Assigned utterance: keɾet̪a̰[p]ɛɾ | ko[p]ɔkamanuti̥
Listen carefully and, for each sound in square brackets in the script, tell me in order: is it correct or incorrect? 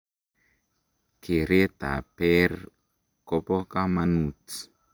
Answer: correct, correct

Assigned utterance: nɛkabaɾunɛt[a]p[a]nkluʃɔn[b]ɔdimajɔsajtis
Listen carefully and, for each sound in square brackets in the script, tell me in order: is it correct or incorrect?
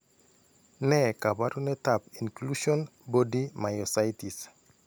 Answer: correct, incorrect: i, correct

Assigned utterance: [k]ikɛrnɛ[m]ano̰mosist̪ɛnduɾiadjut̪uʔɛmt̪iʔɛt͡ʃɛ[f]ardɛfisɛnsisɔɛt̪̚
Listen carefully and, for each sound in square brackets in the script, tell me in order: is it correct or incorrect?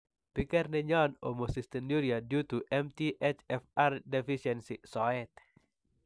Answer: incorrect: p, incorrect: ɲ, correct

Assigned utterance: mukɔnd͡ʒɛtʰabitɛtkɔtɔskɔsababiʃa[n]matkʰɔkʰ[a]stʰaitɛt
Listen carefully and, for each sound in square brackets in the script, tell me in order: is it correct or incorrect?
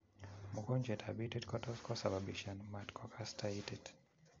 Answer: correct, correct

